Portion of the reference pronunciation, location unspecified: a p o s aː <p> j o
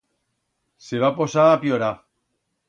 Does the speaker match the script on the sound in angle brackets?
yes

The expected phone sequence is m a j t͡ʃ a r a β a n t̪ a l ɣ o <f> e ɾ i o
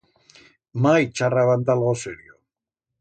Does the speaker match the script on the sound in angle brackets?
no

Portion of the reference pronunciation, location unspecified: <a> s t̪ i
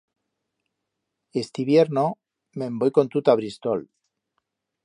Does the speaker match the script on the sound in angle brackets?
no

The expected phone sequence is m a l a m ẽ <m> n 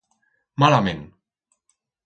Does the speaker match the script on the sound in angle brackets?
no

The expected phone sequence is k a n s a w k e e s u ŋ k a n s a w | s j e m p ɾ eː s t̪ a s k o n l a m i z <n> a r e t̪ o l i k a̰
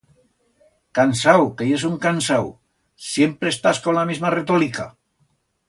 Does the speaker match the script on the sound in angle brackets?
no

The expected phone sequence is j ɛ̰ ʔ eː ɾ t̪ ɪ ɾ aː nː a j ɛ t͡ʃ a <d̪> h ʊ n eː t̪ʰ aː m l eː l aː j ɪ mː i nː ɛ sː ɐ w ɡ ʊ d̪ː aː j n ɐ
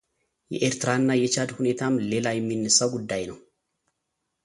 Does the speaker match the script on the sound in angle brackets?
yes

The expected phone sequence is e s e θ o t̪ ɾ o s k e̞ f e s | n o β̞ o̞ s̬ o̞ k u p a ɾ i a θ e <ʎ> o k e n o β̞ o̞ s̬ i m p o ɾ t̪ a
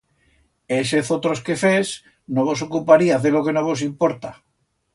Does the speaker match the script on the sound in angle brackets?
no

